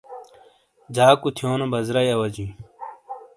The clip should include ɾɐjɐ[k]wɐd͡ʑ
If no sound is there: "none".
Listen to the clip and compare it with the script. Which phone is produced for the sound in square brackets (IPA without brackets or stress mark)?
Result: none